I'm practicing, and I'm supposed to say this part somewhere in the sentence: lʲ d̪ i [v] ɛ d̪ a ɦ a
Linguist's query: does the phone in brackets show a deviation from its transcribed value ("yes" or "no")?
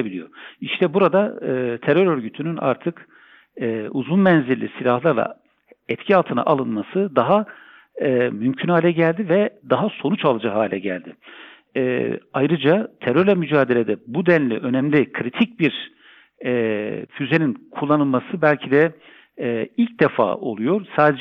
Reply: no